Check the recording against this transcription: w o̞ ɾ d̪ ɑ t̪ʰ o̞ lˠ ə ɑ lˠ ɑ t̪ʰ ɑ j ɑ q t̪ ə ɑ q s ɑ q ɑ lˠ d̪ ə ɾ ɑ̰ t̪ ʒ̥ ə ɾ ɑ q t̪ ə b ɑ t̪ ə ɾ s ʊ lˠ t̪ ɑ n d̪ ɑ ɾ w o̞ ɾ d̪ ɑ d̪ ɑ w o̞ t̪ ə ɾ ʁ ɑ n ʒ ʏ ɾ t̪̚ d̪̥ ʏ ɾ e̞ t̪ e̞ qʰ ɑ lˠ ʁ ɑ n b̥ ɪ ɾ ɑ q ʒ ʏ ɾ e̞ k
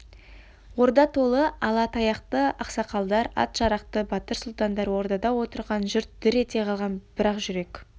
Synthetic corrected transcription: w o̞ ɾ d̪ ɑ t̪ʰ o̞ lˠ ə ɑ lˠ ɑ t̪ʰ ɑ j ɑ q t̪ ə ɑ q s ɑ q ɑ lˠ d̪ ɑ ɾ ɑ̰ t̪ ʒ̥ ɑ ɾ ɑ q t̪ ə b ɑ t̪ ə ɾ s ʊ lˠ t̪ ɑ n d̪ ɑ ɾ w o̞ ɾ d̪ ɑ d̪ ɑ w o̞ t̪ ə ɾ ʁ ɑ n ʒ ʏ ɾ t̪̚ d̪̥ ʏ ɾ e̞ t̪ e̞ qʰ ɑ lˠ ʁ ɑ n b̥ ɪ ɾ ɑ q ʒ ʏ ɾ e̞ k